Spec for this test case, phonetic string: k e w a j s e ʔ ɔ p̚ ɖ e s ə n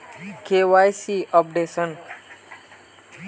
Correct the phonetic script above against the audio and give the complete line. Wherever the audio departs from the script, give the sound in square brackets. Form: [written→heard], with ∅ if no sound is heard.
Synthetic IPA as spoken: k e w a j s [e→i] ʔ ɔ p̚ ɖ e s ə n